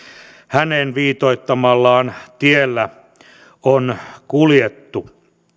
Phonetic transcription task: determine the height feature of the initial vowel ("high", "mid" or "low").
low